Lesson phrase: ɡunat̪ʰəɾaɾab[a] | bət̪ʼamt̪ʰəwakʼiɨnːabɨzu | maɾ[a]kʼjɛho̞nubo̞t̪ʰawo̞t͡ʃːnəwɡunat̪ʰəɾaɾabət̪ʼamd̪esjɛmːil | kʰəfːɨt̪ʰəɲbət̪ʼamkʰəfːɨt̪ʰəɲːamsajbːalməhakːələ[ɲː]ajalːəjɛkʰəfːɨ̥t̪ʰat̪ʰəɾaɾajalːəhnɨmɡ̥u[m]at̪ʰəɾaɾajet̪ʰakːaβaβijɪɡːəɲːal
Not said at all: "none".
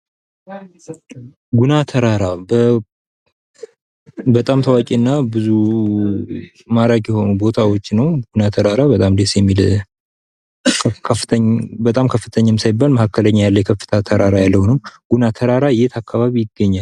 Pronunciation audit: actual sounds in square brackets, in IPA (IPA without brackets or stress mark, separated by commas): ə, a, ɲː, n